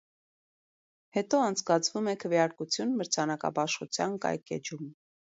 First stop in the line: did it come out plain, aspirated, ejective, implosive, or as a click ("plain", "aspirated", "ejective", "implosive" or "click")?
plain